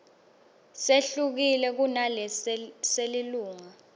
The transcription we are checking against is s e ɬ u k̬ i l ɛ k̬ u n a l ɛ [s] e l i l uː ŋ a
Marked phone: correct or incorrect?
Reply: correct